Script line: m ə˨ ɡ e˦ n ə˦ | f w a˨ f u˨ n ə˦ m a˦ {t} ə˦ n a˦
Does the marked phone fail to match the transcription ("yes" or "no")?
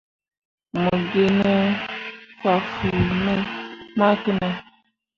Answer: yes